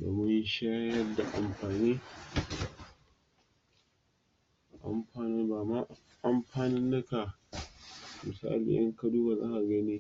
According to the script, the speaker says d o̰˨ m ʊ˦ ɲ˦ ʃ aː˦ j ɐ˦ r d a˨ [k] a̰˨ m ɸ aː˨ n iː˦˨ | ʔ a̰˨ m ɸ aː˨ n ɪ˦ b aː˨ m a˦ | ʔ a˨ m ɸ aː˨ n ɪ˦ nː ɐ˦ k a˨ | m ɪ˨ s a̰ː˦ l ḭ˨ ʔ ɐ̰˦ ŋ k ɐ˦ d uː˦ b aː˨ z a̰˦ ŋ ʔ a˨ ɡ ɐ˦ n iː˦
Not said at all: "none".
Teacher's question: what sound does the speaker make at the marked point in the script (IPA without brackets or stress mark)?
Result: ʔ